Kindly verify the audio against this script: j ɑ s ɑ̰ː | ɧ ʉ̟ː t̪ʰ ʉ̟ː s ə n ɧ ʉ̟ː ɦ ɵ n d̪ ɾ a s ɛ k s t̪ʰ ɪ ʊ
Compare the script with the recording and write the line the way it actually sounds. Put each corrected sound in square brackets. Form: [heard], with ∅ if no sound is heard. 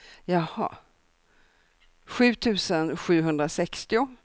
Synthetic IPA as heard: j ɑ [h] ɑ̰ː | ɧ ʉ̟ː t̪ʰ ʉ̟ː s ə n ɧ ʉ̟ː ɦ ɵ n d̪ ɾ a s ɛ k s [t̪] ɪ ʊ